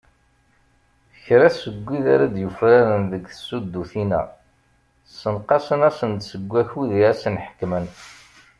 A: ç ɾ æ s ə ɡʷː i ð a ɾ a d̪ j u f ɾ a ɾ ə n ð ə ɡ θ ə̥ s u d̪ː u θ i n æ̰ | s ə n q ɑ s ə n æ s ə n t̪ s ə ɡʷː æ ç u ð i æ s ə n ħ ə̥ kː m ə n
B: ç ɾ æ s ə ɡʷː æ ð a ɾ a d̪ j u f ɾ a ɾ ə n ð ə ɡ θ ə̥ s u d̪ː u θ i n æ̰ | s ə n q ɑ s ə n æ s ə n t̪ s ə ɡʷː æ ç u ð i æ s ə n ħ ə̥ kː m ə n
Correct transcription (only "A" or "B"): A